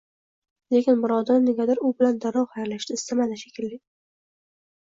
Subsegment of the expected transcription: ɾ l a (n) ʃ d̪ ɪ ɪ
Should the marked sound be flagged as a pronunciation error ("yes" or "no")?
yes